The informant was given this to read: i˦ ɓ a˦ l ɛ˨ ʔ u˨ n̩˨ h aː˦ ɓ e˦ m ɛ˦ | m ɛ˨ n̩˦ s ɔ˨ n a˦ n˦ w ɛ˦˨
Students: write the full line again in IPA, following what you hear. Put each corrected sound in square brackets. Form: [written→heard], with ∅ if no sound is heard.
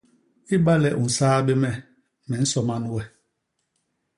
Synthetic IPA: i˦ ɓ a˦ l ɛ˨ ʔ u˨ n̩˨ [h→s] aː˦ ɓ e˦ m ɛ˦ | m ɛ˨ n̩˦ s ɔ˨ [n→m] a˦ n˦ w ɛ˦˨